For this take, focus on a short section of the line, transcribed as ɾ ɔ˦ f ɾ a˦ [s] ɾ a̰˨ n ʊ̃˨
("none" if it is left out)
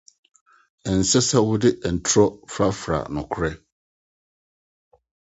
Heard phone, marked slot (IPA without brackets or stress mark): f